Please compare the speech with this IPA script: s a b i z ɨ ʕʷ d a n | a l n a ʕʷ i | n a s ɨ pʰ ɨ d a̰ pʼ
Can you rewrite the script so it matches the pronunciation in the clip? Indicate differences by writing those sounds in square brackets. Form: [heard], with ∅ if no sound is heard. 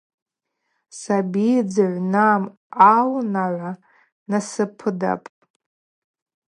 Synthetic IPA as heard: s a b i [d͡z] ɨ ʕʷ [n] a [m] | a l n a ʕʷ [a] | n a s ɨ pʰ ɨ d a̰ pʼ